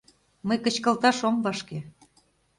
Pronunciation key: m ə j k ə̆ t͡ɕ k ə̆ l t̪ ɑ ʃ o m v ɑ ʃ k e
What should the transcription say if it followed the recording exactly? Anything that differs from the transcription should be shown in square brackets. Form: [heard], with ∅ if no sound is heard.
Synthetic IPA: m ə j k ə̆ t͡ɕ k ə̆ l t̪ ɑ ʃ o m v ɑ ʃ k e